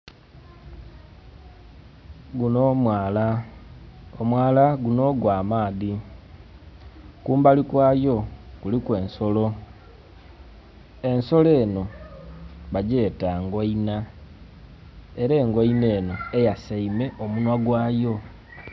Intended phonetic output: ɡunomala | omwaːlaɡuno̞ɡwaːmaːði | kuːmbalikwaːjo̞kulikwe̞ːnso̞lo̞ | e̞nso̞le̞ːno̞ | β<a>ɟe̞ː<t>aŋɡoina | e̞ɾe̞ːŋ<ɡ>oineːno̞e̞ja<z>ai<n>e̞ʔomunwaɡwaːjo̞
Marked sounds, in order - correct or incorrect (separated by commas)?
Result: correct, correct, correct, incorrect, incorrect